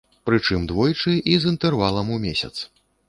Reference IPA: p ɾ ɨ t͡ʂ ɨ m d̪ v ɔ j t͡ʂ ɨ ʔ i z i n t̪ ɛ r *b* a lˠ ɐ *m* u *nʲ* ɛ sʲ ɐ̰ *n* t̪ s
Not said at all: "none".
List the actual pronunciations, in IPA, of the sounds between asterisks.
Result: v, m, mʲ, none

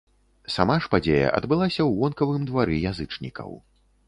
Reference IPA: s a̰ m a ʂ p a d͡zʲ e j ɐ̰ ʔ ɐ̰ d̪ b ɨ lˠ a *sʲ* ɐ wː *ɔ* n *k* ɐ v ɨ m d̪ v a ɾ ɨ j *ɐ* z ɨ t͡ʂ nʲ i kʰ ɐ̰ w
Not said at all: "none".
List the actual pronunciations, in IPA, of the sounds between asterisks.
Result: sʲ, ɔ, k, a

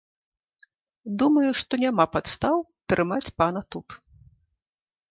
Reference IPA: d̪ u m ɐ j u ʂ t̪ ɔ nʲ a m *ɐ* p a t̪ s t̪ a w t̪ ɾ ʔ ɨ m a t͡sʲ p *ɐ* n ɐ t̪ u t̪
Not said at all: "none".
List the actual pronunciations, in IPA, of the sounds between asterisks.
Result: a, a

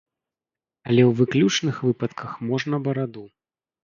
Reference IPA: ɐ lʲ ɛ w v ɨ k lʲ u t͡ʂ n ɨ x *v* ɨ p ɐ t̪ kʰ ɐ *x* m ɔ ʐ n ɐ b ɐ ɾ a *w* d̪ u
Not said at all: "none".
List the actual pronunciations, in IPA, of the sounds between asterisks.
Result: v, x, none

